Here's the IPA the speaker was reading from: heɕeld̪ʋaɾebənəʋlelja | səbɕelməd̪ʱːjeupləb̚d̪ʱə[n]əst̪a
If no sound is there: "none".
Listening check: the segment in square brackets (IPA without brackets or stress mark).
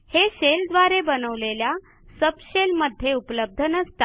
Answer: n